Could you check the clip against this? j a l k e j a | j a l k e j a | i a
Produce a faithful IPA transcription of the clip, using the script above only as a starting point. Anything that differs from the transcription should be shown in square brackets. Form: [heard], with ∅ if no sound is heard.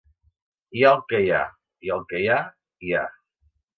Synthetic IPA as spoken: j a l k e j a | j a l k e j a | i a